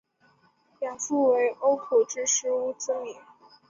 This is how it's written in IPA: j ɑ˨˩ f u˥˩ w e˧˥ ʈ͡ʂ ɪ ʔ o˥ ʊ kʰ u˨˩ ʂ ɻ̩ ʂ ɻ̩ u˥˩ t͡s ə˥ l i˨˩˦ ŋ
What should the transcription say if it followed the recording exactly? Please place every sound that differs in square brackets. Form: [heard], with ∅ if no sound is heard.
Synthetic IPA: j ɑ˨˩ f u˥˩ w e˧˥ [∅] ɪ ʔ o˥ ʊ kʰ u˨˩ [ʈ͡ʂ] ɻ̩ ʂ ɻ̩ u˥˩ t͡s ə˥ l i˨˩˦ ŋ